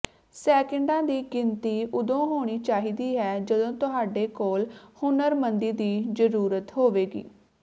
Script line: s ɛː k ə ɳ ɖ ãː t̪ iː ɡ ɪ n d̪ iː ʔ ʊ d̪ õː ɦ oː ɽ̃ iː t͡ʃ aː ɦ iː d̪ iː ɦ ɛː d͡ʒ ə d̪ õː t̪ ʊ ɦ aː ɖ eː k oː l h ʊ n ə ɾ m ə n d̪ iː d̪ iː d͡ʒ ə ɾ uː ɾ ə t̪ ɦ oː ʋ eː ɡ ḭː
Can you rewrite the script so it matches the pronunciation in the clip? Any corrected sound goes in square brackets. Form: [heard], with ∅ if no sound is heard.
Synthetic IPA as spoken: s ɛː k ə ɳ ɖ ãː [d̪] iː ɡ ɪ n [t̪] iː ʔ ʊ d̪ õː ɦ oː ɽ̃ iː t͡ʃ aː ɦ iː d̪ iː ɦ ɛː d͡ʒ ə d̪ õː t̪ ʊ ɦ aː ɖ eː k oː l h ʊ n ə ɾ m ə n d̪ iː d̪ iː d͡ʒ ə ɾ uː ɾ ə t̪ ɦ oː ʋ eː ɡ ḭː